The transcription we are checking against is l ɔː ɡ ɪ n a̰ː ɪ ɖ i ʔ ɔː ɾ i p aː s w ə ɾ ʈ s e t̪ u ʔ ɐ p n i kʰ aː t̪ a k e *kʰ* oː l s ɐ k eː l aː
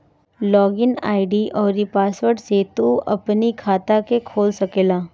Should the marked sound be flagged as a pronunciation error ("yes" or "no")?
no